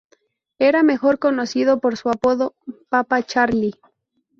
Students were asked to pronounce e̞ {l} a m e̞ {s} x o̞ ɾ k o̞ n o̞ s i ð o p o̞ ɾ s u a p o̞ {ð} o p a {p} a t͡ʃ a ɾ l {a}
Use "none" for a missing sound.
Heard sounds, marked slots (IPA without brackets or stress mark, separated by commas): ɾ, none, ð, p, i